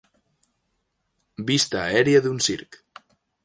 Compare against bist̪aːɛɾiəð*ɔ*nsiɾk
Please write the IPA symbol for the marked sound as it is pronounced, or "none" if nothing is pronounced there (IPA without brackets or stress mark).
u